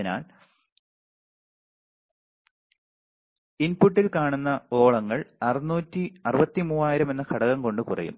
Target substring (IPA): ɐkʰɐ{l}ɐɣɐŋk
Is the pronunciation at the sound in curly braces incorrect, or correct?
incorrect